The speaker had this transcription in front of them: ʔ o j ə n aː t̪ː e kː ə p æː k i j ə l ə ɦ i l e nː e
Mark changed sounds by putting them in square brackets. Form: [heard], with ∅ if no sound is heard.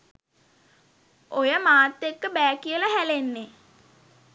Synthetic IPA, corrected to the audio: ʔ o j ə [m] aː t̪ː e kː ə [b] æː k i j ə l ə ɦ [æ] l e nː e